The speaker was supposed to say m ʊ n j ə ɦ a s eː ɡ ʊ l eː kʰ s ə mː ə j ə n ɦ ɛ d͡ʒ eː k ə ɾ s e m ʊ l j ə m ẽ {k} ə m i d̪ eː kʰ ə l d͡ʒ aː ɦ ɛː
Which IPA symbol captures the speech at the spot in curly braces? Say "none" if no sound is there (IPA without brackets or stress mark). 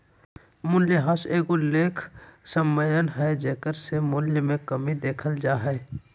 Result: k